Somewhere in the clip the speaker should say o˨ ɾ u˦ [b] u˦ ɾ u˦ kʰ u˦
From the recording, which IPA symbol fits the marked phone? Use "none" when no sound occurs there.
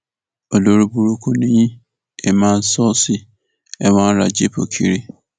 b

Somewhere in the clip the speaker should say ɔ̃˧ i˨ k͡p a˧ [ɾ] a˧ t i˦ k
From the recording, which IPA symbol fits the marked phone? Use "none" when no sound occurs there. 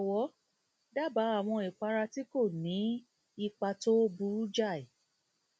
ɾ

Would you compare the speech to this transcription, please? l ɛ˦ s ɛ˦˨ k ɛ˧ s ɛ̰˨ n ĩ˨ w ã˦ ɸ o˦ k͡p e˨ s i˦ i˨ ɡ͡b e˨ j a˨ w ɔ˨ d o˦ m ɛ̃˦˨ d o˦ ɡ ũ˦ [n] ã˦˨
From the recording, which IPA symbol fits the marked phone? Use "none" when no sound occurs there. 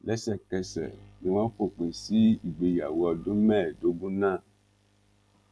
n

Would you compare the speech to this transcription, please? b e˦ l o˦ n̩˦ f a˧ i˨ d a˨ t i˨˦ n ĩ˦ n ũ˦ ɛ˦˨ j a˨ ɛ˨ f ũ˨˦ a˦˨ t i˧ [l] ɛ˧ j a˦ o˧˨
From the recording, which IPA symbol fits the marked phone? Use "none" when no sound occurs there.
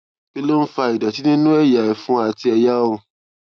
none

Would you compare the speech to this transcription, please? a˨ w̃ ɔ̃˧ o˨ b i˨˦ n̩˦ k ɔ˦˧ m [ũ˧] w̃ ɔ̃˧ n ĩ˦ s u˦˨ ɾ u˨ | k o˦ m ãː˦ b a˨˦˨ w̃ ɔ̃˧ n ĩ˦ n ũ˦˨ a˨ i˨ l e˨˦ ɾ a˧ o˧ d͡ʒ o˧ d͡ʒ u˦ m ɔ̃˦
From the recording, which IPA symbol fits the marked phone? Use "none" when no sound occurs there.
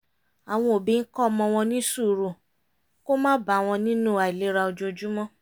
ɔ̃˧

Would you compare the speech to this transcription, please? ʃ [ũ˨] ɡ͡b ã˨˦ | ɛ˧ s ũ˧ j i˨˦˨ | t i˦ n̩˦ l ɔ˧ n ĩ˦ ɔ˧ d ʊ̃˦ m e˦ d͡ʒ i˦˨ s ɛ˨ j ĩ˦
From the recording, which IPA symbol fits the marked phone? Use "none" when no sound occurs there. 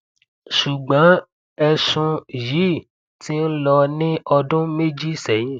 u˨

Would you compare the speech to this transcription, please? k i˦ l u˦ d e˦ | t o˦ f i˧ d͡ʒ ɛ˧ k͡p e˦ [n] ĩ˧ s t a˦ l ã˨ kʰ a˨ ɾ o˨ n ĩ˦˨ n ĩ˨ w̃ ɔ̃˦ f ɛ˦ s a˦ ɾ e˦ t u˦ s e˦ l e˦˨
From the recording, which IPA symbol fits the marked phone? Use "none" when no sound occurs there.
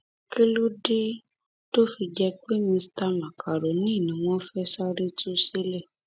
m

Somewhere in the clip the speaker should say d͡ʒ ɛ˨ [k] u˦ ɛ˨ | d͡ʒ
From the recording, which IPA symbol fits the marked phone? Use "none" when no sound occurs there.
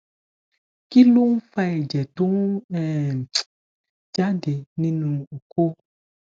t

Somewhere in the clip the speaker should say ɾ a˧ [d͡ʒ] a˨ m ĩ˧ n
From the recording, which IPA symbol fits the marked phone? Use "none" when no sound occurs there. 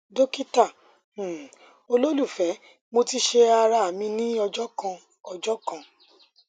none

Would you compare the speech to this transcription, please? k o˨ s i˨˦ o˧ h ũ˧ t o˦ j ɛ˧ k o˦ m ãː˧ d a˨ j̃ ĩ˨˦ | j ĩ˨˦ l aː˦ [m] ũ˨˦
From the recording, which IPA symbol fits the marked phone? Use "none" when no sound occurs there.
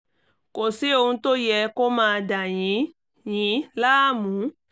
m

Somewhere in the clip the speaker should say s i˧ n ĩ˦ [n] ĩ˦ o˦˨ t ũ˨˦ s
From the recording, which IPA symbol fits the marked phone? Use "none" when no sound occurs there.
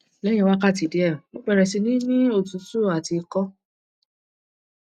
n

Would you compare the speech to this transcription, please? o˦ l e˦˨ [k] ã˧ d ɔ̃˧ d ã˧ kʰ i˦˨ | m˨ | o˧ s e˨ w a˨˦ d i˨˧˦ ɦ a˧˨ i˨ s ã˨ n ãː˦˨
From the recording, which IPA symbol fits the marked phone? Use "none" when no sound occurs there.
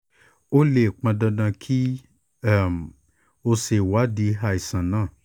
k͡p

